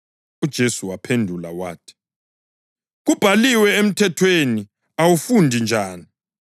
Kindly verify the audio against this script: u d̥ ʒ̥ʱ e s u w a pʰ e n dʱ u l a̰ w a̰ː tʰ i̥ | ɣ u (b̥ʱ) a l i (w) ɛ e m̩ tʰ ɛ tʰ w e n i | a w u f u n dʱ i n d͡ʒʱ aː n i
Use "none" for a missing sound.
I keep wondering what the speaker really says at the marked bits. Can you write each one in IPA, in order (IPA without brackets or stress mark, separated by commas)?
b̥ʱ, w